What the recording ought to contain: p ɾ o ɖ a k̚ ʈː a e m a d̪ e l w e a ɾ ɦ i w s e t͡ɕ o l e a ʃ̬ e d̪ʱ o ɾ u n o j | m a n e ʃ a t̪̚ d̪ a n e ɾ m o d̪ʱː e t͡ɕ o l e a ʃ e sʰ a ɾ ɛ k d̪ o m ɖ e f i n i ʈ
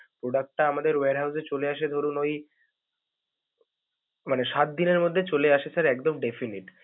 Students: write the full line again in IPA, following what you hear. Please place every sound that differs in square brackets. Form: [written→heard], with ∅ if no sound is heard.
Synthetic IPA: p ɾ o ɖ a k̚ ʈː a [e→a] m a d̪ e [l→ɾ] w e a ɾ ɦ [i→a] w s e t͡ɕ o l e a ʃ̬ e d̪ʱ o ɾ u n o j | m a n e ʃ a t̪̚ d̪ [a→i] n e ɾ m o d̪ʱː e t͡ɕ o l e a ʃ e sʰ a ɾ ɛ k d̪ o m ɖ e f i n i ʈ